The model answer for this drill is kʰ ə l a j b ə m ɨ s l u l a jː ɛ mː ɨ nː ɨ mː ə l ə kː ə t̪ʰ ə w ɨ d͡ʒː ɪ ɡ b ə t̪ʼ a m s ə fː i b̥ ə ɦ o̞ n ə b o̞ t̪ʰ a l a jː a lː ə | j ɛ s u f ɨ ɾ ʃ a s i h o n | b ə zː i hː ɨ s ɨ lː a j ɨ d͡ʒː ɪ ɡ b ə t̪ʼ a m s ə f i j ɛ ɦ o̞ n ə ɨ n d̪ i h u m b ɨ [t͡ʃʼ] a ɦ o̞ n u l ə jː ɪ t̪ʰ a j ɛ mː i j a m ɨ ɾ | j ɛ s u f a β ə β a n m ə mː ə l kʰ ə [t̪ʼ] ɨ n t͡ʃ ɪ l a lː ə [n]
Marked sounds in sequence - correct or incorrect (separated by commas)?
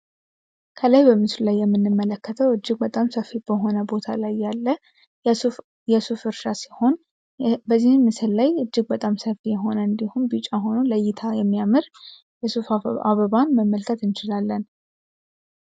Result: correct, incorrect, correct